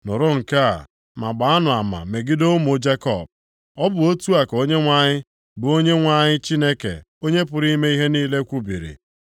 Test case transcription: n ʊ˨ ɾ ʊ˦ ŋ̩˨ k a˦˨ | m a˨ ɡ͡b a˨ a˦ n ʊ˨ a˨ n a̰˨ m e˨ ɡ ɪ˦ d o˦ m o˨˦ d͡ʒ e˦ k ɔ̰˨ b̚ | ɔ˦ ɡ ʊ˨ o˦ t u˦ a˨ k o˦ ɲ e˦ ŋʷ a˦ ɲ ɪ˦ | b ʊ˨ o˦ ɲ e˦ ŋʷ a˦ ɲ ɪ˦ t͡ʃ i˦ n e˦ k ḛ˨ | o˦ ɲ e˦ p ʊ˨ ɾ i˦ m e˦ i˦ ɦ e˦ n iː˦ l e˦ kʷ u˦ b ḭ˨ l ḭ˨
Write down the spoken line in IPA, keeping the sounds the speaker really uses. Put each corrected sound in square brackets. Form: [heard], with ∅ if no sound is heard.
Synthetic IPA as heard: n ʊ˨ ɾ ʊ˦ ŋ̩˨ k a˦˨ | m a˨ ɡ͡b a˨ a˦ n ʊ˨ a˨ [m] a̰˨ m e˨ ɡ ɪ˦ d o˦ m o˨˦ d͡ʒ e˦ k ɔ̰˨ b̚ | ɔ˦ [b] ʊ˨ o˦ t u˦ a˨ k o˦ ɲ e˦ ŋʷ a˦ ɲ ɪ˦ | b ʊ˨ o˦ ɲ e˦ ŋʷ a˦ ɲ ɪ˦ t͡ʃ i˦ n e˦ k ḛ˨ | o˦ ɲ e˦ p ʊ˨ ɾ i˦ m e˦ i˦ ɦ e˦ n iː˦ l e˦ kʷ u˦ b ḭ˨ [ɾ] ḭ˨